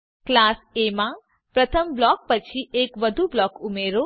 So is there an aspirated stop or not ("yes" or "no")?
yes